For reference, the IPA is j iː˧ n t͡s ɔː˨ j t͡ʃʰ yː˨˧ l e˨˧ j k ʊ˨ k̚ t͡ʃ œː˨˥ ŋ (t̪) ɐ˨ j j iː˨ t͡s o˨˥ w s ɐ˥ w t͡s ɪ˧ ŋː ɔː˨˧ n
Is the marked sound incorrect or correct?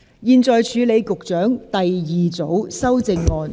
correct